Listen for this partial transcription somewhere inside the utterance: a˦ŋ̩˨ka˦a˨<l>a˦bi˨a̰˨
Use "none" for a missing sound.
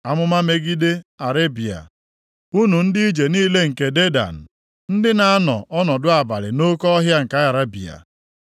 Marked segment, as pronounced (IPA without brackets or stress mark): ɾ